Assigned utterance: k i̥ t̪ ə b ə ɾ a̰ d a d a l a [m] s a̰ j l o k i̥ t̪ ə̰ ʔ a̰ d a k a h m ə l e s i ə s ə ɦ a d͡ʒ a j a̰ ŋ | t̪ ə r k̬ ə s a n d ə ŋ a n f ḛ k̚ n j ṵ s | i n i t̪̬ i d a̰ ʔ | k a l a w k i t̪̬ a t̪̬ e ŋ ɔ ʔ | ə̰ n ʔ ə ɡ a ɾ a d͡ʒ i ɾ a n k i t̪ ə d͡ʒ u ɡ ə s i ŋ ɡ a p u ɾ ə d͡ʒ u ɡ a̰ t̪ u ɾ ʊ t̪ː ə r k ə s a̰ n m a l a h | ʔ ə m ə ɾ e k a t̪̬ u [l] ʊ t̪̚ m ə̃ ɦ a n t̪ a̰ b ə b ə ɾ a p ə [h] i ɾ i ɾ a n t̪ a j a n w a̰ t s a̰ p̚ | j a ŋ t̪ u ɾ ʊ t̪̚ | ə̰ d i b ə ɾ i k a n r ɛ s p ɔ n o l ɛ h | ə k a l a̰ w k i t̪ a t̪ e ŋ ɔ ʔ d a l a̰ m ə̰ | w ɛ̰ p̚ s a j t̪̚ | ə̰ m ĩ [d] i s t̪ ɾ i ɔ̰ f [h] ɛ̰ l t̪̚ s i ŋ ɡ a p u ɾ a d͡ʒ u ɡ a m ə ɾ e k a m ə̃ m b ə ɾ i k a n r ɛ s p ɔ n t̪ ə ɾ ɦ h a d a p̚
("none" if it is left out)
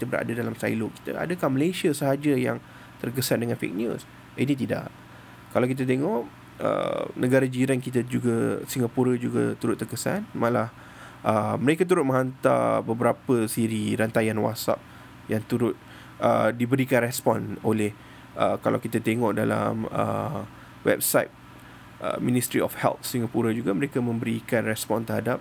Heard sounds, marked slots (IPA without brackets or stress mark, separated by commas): m, ɾ, s, n, h